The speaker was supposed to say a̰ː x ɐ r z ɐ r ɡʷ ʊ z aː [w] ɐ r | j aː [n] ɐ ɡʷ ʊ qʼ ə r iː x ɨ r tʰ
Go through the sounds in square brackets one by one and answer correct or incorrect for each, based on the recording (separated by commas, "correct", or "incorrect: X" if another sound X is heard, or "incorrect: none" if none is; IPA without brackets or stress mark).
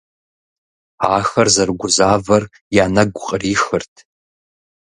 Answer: incorrect: v, correct